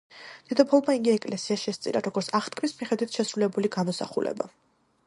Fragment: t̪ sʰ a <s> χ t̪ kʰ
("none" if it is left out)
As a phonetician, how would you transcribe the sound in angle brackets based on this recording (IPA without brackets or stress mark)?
none